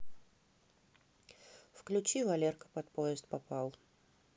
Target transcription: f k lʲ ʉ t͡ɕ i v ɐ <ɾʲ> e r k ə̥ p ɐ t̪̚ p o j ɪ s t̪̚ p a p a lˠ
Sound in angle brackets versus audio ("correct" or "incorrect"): incorrect